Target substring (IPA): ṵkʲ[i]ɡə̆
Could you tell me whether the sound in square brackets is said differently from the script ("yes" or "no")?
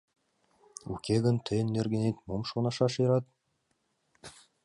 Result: yes